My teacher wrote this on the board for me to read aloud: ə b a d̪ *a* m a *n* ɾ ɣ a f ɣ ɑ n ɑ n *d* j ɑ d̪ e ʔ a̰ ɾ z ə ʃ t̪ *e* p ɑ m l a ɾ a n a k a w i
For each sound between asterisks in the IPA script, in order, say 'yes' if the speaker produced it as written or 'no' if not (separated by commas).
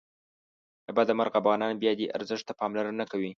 yes, no, no, no